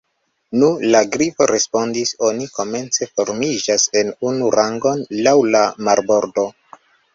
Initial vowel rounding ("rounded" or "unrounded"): rounded